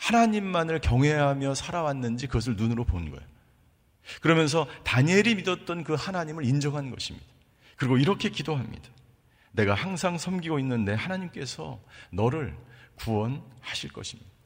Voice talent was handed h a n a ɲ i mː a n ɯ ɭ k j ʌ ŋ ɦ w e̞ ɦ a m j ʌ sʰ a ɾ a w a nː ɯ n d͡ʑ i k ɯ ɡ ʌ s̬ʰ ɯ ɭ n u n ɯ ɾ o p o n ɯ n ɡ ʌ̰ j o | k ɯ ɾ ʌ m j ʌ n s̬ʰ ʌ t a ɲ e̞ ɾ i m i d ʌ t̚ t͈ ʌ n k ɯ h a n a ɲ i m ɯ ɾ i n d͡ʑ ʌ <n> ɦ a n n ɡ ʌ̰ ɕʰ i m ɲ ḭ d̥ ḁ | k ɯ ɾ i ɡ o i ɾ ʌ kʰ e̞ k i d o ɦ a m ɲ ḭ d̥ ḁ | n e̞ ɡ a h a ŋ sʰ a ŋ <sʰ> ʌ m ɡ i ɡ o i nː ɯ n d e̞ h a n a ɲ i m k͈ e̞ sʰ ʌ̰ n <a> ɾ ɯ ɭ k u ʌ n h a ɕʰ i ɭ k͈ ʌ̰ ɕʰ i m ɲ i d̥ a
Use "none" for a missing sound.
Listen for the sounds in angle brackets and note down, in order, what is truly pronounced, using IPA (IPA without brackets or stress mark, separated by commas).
ŋ, sʰ, ʌ